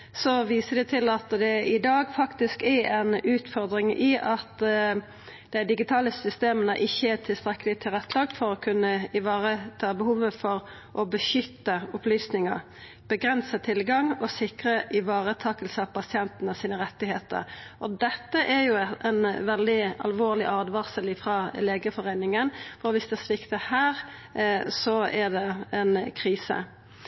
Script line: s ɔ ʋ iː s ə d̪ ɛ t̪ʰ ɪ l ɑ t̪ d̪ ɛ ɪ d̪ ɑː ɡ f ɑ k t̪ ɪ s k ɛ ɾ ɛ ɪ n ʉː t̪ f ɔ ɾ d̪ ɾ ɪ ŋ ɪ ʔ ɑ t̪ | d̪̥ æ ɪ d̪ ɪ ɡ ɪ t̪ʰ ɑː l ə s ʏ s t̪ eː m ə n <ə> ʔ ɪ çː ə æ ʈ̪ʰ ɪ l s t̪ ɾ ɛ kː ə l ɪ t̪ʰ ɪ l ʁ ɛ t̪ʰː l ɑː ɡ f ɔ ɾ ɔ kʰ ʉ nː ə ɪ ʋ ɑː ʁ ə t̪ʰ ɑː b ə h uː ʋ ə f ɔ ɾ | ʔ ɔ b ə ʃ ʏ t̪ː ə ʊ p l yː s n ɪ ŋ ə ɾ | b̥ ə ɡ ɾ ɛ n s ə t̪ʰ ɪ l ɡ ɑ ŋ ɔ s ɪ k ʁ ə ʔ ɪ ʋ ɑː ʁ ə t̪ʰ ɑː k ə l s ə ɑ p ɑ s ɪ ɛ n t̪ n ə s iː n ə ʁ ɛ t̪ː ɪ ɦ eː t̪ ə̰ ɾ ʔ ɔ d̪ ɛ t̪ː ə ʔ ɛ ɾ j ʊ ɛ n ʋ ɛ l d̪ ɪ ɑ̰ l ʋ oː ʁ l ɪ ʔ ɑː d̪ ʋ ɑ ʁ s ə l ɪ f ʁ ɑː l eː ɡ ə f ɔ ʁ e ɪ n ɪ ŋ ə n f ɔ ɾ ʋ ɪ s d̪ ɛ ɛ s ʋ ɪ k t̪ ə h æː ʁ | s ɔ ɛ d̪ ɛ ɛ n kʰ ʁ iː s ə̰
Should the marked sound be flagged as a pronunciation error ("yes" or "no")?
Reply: no